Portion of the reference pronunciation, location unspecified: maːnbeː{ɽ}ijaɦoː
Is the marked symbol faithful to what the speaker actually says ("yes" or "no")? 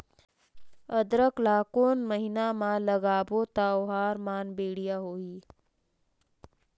yes